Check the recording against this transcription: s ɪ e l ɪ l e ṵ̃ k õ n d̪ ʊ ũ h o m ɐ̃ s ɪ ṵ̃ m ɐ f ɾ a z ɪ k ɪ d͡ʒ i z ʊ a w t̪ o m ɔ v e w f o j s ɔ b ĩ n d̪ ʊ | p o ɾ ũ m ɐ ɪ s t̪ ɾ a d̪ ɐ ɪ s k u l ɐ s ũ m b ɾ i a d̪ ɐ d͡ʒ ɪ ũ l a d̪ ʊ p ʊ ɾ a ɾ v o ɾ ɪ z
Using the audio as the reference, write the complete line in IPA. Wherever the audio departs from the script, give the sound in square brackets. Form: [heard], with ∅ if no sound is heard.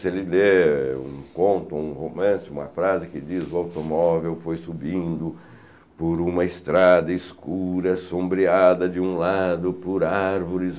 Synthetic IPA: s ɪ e l ɪ l e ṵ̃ k õ n [t̪] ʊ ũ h o m ɐ̃ s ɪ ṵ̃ m ɐ f ɾ a z ɪ k ɪ d͡ʒ i z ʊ a w t̪ o m ɔ v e w f o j s [u] b ĩ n d̪ ʊ | p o ɾ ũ m ɐ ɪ s t̪ ɾ a d̪ ɐ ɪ s k u [ɾ] ɐ s [õ] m b ɾ i a d̪ ɐ d͡ʒ ɪ ũ l a d̪ ʊ p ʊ ɾ a ɾ v o ɾ ɪ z